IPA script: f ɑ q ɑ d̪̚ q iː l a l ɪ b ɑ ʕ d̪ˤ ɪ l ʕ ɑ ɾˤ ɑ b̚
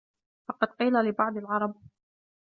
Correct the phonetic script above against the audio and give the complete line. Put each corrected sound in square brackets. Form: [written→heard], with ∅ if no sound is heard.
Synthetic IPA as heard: f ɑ q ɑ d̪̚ q iː l a l ɪ b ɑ ʕ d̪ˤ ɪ l ʕ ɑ ɾˤ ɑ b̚